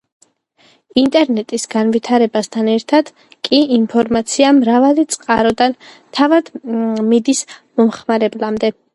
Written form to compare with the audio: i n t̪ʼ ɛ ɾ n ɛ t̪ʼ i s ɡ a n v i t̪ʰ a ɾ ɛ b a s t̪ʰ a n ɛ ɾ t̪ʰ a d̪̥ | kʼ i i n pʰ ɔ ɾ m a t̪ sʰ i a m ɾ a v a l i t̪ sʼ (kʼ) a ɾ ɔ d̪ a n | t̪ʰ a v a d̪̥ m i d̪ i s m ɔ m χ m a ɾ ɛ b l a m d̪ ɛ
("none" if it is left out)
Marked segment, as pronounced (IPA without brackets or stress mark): qʼ